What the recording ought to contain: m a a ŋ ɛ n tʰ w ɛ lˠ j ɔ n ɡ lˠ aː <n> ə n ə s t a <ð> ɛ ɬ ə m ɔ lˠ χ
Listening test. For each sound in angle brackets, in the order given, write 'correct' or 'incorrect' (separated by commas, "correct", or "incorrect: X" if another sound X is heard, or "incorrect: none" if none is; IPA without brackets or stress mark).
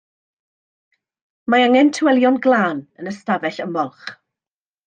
correct, incorrect: v